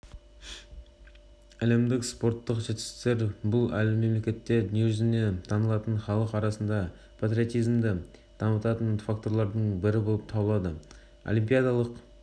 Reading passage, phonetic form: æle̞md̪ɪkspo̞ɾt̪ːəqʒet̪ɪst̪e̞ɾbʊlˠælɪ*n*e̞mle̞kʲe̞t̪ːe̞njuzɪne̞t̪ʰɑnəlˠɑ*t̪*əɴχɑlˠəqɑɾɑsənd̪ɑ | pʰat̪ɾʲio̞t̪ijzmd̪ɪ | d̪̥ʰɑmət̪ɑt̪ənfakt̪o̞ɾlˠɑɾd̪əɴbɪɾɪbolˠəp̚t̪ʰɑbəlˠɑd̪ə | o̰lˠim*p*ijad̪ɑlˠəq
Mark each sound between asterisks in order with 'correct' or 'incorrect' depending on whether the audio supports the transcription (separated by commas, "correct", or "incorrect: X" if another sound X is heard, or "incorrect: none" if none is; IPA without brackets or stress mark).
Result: incorrect: m, correct, correct